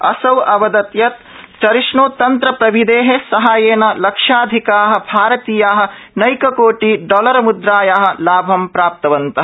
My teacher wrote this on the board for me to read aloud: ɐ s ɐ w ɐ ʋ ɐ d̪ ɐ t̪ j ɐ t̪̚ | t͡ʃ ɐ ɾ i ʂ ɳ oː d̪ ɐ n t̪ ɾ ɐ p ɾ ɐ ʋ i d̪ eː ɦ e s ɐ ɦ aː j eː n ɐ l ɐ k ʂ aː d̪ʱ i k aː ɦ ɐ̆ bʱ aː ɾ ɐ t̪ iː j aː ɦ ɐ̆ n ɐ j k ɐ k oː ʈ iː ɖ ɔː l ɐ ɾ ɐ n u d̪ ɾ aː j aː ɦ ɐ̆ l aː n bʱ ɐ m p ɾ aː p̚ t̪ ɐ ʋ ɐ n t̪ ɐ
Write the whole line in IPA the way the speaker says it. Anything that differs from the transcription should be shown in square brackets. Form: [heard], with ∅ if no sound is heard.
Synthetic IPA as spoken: ɐ s ɐ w ɐ ʋ ɐ d̪ ɐ t̪ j ɐ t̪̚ | t͡ʃ ɐ ɾ i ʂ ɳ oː [t̪] ɐ n t̪ ɾ ɐ p ɾ ɐ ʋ i d̪ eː ɦ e s ɐ ɦ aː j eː n ɐ l ɐ k ʂ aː d̪ʱ i k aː ɦ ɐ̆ bʱ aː ɾ ɐ t̪ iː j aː ɦ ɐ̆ n ɐ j k ɐ k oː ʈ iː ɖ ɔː l ɐ ɾ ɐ [m] u d̪ ɾ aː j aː ɦ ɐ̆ l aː [∅] bʱ ɐ m p ɾ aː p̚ t̪ ɐ ʋ ɐ n t̪ ɐ

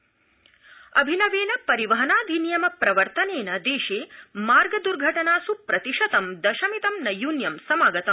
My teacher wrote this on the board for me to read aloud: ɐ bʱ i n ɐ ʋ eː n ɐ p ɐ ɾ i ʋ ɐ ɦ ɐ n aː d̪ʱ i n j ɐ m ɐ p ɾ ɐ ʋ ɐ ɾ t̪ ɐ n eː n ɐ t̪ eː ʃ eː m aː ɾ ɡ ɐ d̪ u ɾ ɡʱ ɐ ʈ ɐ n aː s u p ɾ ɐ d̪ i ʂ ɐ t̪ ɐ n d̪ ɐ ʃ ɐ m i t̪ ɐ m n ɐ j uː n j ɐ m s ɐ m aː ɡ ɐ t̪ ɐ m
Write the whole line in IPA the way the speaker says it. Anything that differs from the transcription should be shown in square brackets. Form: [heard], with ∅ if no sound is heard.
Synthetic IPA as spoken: ɐ bʱ i n ɐ ʋ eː n ɐ p ɐ ɾ i ʋ ɐ ɦ ɐ n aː d̪ʱ i n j ɐ m ɐ p ɾ ɐ ʋ ɐ ɾ t̪ ɐ n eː n ɐ [d̪] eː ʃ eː m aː ɾ ɡ ɐ d̪ u ɾ ɡʱ ɐ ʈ ɐ n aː s u p ɾ ɐ [t̪] i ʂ ɐ t̪ ɐ [m] d̪ ɐ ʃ ɐ m i t̪ ɐ m n ɐ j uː n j ɐ m s ɐ m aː ɡ ɐ t̪ ɐ m

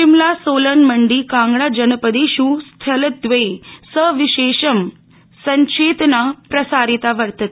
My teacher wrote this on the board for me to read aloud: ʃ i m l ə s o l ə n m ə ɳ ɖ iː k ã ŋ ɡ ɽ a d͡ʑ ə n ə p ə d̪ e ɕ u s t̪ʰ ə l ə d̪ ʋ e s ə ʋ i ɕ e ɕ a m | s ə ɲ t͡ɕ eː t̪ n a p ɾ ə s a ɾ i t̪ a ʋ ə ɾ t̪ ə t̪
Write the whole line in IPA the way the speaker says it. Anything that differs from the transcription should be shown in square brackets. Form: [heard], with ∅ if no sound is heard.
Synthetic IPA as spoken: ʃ i m l [a] s o l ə n m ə ɳ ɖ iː k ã ŋ ɡ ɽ a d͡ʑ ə n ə p ə d̪ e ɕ u s t̪ʰ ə l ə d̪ ʋ e s ə ʋ i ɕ e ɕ [ə] m | s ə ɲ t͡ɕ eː t̪ n a p ɾ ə s a ɾ i t̪ a ʋ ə ɾ t̪ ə t̪

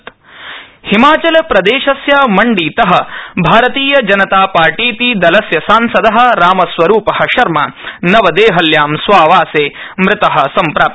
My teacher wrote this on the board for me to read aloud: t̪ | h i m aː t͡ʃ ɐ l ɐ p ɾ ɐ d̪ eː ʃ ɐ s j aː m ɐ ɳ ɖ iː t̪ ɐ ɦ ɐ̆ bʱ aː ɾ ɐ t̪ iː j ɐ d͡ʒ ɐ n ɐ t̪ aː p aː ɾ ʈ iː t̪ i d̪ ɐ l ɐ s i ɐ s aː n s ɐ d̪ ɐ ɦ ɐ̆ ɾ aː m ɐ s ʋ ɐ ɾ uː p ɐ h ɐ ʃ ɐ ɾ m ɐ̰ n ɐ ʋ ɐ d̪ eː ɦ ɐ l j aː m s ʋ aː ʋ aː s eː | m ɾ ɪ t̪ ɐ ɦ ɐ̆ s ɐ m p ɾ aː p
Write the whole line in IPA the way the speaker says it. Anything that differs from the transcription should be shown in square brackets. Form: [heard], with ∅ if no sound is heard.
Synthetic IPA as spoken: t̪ | h i m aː t͡ʃ ɐ l ɐ p ɾ ɐ d̪ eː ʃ ɐ s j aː m ɐ ɳ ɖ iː t̪ ɐ ɦ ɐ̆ bʱ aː ɾ ɐ t̪ iː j ɐ d͡ʒ ɐ n ɐ t̪ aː p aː ɾ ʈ iː t̪ i d̪ ɐ l ɐ s [j] ɐ s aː n s ɐ d̪ ɐ ɦ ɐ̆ ɾ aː m ɐ s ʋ ɐ ɾ uː p ɐ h ɐ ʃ ɐ ɾ m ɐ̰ n ɐ ʋ ɐ d̪ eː ɦ ɐ l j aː m s ʋ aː ʋ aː s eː | m ɾ ɪ t̪ ɐ ɦ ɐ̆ s ɐ m p ɾ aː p

